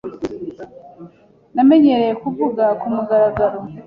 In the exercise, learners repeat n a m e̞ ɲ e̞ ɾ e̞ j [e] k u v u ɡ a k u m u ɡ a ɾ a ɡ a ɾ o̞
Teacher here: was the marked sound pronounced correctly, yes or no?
yes